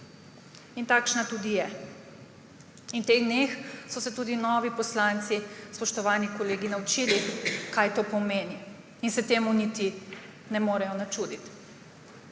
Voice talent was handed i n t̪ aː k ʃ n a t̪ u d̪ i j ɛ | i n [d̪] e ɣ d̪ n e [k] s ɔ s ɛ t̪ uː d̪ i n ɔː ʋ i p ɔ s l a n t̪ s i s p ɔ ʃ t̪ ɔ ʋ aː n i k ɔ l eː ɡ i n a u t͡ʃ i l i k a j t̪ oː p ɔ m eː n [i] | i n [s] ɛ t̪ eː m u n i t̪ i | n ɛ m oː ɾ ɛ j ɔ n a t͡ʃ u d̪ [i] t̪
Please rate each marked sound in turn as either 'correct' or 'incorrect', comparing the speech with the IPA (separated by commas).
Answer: incorrect, incorrect, correct, correct, correct